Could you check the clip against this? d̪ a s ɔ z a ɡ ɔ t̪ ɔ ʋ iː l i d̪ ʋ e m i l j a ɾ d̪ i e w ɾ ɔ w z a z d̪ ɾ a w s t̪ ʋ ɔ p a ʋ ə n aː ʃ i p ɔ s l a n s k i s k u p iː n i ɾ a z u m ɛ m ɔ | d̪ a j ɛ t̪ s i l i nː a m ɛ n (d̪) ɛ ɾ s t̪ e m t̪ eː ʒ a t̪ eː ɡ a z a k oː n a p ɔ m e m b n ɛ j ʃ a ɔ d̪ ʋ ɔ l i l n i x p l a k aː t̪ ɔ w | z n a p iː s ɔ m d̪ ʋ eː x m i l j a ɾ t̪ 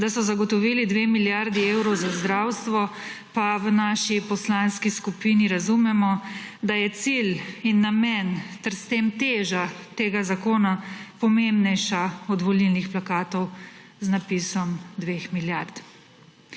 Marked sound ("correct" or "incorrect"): incorrect